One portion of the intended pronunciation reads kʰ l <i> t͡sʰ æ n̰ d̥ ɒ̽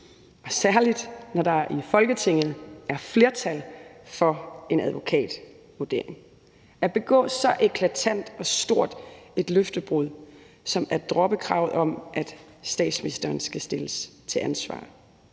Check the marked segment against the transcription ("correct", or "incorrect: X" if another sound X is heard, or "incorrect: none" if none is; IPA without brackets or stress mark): incorrect: æ